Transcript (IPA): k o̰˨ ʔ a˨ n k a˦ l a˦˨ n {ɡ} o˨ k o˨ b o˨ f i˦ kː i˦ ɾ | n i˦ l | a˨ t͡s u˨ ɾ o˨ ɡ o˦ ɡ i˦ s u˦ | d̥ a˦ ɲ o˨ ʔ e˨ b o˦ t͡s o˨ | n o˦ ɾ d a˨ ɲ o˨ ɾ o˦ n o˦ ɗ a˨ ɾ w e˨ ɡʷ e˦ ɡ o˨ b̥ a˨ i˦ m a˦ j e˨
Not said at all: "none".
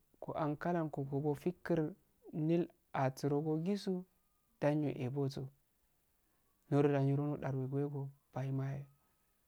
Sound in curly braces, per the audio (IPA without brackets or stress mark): k